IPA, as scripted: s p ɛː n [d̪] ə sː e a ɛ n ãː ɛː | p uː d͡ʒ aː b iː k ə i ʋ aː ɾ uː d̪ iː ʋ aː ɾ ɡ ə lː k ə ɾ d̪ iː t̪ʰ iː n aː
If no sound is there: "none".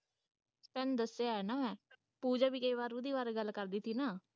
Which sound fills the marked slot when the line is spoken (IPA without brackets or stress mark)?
d̪